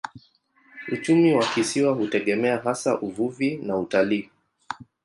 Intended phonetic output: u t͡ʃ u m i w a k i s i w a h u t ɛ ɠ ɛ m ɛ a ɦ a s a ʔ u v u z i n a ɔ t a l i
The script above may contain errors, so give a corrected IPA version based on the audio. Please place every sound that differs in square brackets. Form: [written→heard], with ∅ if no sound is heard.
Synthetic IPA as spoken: u t͡ʃ u m i w a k i s i w a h u t ɛ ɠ ɛ m ɛ a ɦ a s a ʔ u v u [z→v] i n a [ɔ→u] t a l [i→iː]